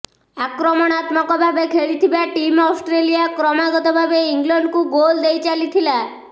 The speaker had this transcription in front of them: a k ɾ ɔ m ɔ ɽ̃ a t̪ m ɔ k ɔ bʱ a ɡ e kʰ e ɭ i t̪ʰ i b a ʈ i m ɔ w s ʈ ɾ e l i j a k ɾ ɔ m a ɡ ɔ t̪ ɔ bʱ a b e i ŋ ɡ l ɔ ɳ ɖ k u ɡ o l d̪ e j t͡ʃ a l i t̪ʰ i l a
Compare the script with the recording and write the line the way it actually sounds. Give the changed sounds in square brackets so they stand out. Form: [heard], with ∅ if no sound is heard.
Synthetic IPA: a k ɾ ɔ m ɔ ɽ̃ a t̪ m ɔ k ɔ bʱ a [b] e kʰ e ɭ i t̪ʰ i b a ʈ i m ɔ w s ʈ ɾ e l i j a k ɾ ɔ m a ɡ ɔ t̪ ɔ bʱ a b e i ŋ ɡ l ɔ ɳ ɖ k u ɡ o l d̪ e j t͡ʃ a l i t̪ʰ i l a